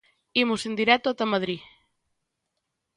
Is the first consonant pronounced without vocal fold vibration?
no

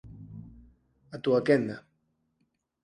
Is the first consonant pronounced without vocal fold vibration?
yes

